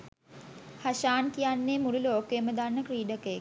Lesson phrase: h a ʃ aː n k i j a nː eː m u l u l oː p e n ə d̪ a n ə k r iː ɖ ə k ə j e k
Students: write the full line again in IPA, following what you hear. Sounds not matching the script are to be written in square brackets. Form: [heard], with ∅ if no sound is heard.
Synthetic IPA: h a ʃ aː n k i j a nː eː m u l u l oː [k] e [m] ə d̪ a [nː] ə k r iː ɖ ə k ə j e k